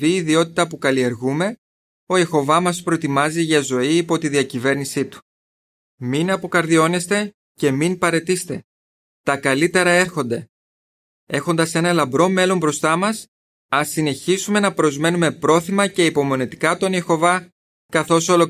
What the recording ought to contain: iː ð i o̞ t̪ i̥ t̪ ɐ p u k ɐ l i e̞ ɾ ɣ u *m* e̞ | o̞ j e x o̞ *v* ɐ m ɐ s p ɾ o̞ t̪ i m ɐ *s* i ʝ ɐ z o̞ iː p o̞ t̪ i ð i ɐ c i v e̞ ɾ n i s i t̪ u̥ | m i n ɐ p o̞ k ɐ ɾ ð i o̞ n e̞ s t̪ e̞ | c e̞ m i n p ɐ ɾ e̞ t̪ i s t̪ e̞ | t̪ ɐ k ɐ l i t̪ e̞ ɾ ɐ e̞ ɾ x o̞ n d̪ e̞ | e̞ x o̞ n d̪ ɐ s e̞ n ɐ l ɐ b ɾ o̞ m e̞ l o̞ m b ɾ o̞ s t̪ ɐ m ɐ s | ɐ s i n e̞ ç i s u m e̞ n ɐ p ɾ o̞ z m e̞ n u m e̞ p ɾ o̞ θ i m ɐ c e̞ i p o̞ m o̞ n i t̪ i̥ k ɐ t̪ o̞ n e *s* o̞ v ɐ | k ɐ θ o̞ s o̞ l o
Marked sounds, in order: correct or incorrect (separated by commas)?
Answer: correct, correct, incorrect, incorrect